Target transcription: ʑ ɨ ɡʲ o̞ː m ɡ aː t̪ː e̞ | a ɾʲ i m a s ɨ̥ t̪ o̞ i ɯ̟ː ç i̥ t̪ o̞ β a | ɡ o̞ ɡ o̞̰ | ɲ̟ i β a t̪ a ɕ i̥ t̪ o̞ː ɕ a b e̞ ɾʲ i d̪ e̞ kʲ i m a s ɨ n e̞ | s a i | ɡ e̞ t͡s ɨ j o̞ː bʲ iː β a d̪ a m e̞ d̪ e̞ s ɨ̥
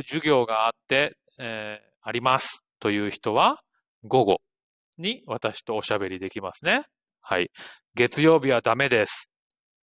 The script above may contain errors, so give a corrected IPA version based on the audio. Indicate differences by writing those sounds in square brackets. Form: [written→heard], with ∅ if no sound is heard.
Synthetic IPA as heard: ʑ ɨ ɡʲ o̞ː [m→∅] ɡ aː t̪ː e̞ | a ɾʲ i m a s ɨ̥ t̪ o̞ [i→j] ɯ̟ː ç i̥ t̪ o̞ β a | ɡ o̞ ɡ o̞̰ | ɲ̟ i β a t̪ a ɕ i̥ t̪ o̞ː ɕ a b e̞ ɾʲ i d̪ e̞ kʲ i m a s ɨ n e̞ | [s→h] a i | ɡ e̞ t͡s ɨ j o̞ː bʲ [iː→i] β a d̪ a m e̞ d̪ e̞ s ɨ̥